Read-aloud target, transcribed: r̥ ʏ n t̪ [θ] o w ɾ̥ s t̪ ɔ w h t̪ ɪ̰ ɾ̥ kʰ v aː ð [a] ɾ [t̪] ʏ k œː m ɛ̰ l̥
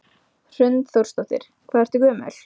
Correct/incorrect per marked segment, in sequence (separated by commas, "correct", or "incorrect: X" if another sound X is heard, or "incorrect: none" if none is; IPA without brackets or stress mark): correct, incorrect: ɛ, correct